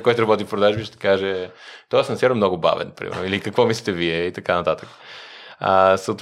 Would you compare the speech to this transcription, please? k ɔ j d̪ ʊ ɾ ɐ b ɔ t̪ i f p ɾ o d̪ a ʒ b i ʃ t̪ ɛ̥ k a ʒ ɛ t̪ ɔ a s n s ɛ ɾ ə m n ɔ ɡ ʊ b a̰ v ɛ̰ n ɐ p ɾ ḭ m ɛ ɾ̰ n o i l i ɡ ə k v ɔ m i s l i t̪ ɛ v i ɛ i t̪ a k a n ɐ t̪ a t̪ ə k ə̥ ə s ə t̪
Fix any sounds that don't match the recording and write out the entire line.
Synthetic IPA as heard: k ɔ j t̪ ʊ ɾ ɐ b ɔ t̪ i f p ɾ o d̪ a ʒ b i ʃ t̪ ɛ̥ k a ʒ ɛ t̪ ɔ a s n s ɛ ɾ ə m n ɔ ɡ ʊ b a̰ v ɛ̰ n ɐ p ɾ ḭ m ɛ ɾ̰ n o i l i k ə k v ɔ m i s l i t̪ ɛ v i ɛ i t̪ ɐ k a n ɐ t̪ a t̪ ə k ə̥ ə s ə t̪